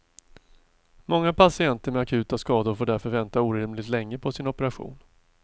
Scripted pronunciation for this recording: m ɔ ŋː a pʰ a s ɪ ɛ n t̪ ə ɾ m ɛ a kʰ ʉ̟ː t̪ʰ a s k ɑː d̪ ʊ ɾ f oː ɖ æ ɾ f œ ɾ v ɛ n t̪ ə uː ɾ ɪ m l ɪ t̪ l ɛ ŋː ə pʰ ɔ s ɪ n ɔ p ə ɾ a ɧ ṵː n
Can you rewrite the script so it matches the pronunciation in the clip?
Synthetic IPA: m ɔ ŋː a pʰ a s ɪ ɛ n t̪ ə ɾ m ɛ a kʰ ʉ̟ː t̪ a s k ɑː d̪ ʊ ɾ f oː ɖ æ ɾ f œ ɾ v ɛ n t̪ a uː ɾ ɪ m l ɪ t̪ l ɛ ŋː ə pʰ ɔ s ɪ n ɔ p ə ɾ a ɧ ṵː n